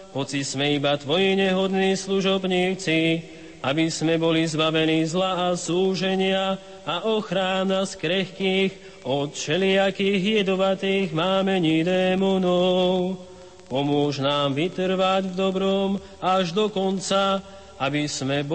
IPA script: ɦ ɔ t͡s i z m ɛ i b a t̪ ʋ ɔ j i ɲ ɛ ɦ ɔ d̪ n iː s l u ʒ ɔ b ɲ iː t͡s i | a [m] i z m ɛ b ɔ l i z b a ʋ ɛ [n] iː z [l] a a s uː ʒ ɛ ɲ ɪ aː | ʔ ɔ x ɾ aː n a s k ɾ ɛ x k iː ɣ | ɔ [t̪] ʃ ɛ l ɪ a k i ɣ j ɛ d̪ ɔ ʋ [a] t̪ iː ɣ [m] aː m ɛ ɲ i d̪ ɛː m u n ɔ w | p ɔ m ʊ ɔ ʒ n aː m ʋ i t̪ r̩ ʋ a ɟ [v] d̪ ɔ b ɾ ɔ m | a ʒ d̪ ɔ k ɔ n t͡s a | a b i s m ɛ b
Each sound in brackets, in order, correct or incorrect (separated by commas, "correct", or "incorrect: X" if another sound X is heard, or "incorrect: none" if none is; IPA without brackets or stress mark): incorrect: b, correct, correct, correct, correct, correct, correct